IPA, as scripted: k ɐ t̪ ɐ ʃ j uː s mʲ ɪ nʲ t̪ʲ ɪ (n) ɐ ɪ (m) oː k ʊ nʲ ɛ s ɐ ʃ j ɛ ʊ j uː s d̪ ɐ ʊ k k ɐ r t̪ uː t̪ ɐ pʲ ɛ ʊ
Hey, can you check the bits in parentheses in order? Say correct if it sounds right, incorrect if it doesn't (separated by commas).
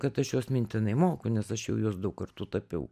correct, correct